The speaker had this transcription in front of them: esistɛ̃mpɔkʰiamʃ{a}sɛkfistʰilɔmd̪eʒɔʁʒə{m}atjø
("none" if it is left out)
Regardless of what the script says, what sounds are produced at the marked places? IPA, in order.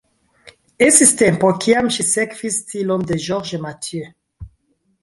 i, m

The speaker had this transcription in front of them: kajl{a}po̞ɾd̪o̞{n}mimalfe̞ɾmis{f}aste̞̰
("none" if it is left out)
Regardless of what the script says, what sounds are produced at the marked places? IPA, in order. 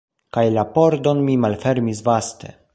a, n, v

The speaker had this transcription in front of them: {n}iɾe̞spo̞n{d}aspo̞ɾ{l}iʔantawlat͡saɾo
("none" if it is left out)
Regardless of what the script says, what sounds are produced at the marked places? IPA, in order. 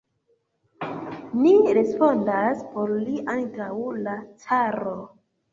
n, d, l

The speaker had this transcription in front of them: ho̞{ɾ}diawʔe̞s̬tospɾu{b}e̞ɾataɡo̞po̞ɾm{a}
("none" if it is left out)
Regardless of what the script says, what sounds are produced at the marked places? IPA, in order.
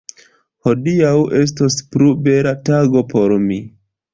none, b, i

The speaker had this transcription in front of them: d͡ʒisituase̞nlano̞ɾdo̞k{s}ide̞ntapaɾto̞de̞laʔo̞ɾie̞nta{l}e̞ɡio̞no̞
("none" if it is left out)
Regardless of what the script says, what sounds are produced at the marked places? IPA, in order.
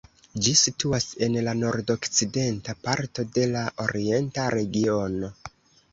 t͡s, ɾ

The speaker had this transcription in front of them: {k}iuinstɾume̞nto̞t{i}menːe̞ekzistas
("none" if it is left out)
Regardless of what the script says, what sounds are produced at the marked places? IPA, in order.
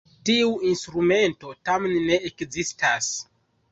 t, a

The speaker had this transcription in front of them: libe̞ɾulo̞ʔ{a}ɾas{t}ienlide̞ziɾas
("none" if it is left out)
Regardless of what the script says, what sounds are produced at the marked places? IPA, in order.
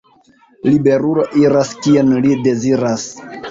i, k

